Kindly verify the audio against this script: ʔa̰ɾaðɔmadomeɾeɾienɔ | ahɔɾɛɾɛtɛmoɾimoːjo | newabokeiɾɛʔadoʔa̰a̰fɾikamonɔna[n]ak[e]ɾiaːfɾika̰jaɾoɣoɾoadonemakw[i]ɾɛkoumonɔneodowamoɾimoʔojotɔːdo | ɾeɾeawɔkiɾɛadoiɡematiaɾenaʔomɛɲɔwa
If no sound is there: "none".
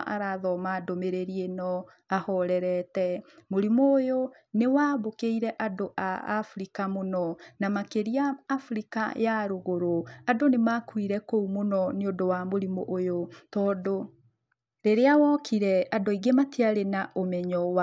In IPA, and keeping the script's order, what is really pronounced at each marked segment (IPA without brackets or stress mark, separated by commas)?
m, e, i